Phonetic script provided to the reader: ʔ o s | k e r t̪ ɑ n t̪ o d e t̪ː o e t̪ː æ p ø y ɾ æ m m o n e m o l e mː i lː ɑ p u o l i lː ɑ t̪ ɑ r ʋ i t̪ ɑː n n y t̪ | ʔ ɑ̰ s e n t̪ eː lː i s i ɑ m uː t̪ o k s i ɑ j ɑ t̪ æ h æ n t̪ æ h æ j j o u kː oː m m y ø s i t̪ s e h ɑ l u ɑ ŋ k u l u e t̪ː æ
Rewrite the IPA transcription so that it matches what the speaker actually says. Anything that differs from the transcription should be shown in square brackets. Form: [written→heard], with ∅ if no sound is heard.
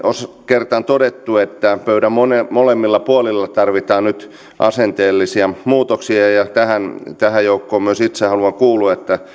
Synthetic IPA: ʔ o s | k e r t̪ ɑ n t̪ o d e t̪ː [o→u] e t̪ː æ p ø y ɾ æ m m o n e m o l e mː i lː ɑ p u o l i lː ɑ t̪ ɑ r ʋ i t̪ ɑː n n y t̪ | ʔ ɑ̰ s e n t̪ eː lː i s i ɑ m uː t̪ o k s i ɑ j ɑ t̪ æ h æ n t̪ æ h æ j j o u kː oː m m y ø s i t̪ s e h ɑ l u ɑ ŋ k [u→uː] l u e t̪ː æ